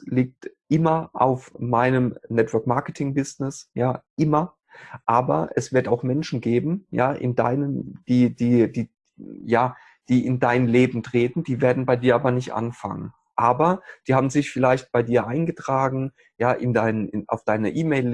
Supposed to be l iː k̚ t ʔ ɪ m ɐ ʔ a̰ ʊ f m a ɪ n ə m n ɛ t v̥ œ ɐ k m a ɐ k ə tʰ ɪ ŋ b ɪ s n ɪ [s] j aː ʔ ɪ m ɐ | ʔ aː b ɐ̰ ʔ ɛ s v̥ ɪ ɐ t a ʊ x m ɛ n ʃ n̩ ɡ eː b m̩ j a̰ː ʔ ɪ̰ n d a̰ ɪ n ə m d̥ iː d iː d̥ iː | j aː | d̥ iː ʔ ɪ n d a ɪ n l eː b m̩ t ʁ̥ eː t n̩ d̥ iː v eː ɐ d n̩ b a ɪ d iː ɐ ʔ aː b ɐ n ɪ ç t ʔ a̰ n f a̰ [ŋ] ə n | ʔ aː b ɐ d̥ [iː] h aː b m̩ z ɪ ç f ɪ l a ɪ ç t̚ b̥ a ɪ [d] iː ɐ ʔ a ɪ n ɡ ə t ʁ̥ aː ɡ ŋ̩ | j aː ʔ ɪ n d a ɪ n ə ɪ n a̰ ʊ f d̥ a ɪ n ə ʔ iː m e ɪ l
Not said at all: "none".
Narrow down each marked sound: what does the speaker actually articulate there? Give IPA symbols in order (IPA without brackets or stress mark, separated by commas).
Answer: s, ŋ, iː, d